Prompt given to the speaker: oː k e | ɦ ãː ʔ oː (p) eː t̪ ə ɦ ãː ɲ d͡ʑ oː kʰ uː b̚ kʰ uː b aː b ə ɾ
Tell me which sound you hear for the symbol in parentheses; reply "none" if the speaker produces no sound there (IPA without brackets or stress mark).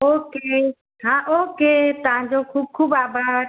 k